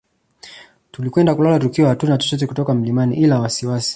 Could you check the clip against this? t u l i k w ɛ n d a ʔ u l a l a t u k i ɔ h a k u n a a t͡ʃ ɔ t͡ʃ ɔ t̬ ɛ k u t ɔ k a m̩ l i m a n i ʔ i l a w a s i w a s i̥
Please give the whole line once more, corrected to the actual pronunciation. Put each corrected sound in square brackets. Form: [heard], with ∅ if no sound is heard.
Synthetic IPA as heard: t u l i k w ɛ n d a [k] u l a l a t u k i ɔ h a [t] u n a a t͡ʃ ɔ t͡ʃ ɔ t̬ ɛ k u t ɔ k a m̩ l i m a n i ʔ i l a w a s i w a s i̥